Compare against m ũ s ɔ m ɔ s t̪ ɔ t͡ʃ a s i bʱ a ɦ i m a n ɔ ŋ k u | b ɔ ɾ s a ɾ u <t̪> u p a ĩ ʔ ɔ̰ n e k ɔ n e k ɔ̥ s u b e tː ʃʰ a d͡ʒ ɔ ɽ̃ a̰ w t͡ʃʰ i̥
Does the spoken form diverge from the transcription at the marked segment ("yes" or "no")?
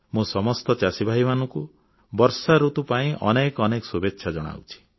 no